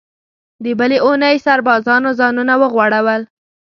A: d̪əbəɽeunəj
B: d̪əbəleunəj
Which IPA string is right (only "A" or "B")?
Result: B